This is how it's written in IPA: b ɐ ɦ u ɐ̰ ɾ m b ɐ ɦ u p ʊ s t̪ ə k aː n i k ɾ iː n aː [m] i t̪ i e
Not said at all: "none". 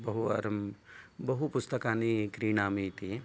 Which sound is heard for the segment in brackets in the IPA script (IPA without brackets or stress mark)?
m